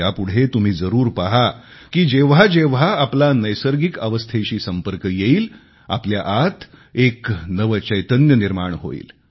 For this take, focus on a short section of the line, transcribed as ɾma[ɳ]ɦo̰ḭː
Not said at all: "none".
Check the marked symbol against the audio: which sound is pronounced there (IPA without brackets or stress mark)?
ɳ